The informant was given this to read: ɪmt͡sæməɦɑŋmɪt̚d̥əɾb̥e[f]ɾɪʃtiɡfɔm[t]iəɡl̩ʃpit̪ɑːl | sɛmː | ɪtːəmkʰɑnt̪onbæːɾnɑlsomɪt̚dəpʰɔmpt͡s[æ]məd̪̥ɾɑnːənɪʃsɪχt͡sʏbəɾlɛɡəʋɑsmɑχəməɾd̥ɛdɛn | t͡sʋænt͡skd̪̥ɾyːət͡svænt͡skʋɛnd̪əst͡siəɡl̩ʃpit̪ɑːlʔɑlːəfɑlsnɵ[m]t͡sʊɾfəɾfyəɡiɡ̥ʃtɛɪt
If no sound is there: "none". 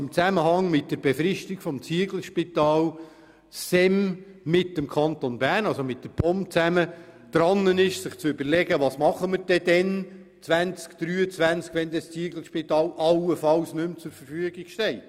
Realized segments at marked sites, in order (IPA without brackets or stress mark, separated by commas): f, t͡s, æ, m